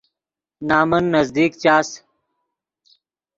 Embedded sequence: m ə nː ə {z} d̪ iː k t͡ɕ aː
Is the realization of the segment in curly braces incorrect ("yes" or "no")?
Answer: no